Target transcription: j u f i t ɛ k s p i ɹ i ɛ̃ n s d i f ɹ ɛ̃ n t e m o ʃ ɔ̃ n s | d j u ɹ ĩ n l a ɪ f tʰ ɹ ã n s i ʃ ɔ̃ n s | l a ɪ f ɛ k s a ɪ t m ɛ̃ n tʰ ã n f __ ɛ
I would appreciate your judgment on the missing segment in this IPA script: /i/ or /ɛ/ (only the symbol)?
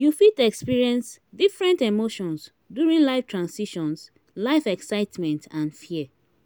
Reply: i